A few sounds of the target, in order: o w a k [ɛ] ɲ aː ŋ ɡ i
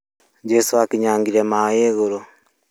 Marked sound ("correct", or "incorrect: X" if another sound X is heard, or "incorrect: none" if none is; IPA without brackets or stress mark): incorrect: i